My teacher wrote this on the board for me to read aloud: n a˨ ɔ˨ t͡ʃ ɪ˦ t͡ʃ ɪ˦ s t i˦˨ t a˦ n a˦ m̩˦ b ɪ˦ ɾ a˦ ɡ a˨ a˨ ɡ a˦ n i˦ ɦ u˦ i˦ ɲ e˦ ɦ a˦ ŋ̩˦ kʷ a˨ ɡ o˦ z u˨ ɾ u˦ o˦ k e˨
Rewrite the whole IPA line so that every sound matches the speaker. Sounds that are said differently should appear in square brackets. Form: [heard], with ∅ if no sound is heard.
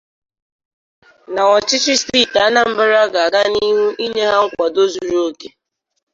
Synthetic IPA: n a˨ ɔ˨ t͡ʃ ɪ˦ t͡ʃ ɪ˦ s t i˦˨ t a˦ n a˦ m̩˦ b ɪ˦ ɾ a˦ ɡ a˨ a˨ ɡ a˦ n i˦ ɦ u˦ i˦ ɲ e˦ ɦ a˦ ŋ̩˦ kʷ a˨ [d] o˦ z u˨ ɾ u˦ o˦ k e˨